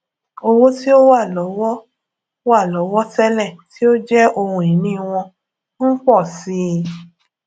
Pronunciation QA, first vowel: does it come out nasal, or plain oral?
oral